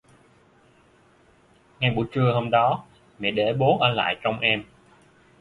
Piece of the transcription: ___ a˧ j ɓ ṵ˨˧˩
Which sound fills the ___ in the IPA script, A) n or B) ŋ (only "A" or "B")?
B